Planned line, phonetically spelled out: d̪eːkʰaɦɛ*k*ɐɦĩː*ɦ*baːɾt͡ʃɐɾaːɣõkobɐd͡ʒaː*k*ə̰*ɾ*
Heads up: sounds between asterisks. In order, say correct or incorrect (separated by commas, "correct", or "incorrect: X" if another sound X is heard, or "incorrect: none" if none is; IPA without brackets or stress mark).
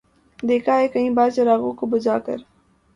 correct, incorrect: none, correct, correct